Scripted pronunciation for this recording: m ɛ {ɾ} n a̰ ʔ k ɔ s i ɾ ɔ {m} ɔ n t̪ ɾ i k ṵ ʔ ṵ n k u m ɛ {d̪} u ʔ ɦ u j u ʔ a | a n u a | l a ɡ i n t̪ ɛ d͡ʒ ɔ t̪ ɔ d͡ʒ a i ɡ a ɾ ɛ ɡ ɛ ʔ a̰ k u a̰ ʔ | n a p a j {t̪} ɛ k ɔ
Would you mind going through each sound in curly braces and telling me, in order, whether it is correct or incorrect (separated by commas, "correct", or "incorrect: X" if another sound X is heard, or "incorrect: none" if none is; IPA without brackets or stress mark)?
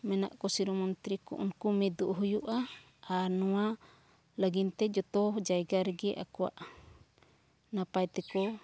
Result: incorrect: none, correct, correct, correct